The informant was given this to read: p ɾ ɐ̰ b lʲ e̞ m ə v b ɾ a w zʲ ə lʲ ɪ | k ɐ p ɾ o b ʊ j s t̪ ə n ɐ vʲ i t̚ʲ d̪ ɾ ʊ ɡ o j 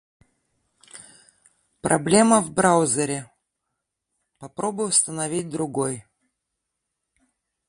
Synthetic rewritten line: p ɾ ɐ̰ b lʲ e̞ m ə v b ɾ a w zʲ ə ɾʲ ɪ | p ɐ p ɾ o b ʊ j s t̪ ə n ɐ vʲ i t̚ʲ d̪ ɾ ʊ ɡ o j